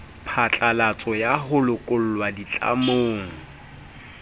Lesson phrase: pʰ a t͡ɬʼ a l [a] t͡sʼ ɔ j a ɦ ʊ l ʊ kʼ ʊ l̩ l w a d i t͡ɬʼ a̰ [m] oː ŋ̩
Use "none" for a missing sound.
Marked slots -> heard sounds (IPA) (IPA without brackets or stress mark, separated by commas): a, m